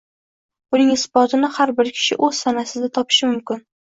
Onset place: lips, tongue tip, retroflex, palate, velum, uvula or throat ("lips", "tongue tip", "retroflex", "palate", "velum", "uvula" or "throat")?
tongue tip